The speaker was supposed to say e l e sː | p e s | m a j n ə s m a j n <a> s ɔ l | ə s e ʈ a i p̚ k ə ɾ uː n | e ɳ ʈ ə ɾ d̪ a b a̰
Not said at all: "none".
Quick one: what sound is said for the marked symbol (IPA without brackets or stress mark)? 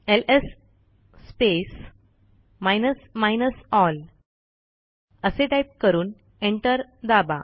ə